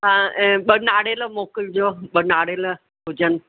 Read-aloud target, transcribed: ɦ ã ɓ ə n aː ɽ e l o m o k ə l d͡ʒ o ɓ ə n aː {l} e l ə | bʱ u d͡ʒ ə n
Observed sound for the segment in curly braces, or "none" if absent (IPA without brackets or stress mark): ɽ